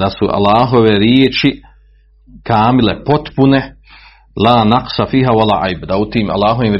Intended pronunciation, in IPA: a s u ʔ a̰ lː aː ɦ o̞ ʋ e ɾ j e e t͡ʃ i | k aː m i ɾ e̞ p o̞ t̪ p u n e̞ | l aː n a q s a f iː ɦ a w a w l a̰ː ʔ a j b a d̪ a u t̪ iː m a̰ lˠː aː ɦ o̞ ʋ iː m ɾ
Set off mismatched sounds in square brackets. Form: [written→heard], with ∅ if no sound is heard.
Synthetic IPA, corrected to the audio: a s u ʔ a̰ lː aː ɦ o̞ ʋ e ɾ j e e t͡ʃ i | k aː m i [ɾ→l] e̞ p o̞ t̪ p u n e̞ | l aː n a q s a f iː ɦ a w a [w→∅] l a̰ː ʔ a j b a d̪ a u t̪ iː m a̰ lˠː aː ɦ o̞ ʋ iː m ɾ